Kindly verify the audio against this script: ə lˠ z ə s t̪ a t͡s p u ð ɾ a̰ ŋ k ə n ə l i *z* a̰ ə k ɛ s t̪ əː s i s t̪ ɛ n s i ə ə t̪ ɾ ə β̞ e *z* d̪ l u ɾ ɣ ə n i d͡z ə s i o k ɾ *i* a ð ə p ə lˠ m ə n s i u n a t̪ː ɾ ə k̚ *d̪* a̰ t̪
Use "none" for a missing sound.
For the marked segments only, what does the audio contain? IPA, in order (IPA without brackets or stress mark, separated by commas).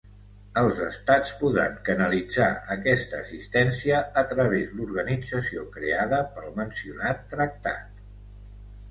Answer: d͡z, z, e, t̪